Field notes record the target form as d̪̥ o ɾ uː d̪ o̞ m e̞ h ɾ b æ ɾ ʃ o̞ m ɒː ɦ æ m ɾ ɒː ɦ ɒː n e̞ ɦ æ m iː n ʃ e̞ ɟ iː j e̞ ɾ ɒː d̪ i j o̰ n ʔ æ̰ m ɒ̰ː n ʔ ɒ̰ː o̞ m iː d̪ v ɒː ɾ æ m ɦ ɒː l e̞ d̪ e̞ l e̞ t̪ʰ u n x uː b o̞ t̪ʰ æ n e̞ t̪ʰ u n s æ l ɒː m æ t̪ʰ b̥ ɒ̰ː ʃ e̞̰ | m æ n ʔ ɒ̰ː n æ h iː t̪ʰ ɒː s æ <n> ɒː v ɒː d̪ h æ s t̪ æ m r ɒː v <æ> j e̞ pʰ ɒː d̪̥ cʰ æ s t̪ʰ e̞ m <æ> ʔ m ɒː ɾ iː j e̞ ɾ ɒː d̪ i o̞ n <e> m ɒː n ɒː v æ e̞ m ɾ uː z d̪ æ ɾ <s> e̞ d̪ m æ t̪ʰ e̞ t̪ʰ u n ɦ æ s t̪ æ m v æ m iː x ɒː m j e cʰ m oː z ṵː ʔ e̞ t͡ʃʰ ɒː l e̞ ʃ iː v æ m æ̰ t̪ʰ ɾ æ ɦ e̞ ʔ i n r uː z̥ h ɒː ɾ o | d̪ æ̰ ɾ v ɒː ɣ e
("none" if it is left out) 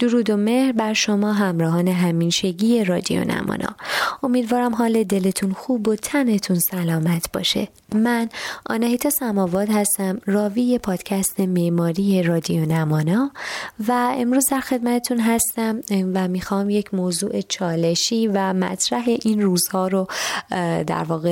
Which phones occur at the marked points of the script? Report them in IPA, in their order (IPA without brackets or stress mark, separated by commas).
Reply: m, i, e, æ, x